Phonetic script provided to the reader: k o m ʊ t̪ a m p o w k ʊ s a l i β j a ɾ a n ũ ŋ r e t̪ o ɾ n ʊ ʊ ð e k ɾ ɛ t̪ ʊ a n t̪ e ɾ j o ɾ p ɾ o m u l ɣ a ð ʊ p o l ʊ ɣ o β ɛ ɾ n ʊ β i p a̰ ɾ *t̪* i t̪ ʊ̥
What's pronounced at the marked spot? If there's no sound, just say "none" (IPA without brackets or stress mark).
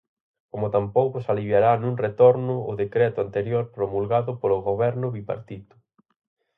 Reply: t̪